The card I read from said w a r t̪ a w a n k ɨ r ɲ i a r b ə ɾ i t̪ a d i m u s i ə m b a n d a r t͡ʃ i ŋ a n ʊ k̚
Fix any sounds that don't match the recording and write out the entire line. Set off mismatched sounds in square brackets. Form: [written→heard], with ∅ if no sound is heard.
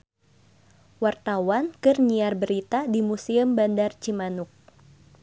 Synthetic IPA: w a r t̪ a w a n k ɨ r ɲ i a r b ə ɾ i t̪ a d i m u s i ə m b a n d a r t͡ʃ i [ŋ→m] a n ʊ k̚